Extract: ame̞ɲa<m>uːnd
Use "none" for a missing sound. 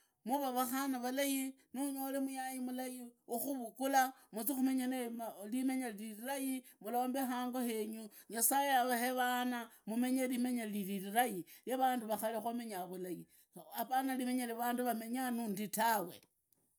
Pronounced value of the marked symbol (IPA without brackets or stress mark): n